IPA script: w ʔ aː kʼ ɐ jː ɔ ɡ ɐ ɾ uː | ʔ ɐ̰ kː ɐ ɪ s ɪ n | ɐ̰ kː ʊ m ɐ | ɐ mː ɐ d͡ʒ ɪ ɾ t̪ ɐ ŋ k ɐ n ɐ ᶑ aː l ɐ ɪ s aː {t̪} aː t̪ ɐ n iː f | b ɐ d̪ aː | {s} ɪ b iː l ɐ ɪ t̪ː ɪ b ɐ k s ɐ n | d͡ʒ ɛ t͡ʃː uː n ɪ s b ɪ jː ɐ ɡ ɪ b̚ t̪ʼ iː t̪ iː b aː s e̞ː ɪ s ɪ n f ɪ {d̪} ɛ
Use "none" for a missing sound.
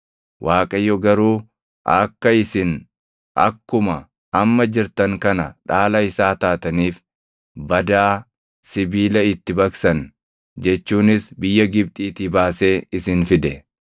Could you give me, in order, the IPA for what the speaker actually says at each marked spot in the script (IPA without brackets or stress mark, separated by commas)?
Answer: t̪, s, d̪